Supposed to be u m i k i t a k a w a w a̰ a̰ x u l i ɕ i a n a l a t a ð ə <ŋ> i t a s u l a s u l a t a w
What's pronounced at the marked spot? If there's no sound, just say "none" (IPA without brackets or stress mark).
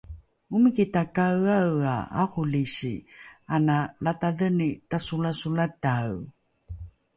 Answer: n